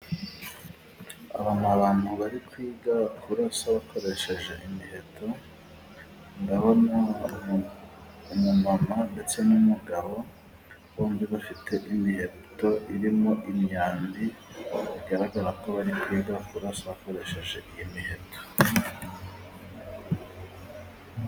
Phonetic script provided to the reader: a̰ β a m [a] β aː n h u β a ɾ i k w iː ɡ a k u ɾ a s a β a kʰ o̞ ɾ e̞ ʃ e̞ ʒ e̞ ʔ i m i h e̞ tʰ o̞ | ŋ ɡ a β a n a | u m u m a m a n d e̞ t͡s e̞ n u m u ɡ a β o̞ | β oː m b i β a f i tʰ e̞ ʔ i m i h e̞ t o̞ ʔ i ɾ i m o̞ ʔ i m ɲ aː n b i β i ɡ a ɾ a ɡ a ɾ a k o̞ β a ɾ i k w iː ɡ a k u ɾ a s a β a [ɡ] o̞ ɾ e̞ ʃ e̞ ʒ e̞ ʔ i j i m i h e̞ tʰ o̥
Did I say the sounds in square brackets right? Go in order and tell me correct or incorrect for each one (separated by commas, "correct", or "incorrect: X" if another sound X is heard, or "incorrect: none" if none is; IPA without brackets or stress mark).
correct, incorrect: k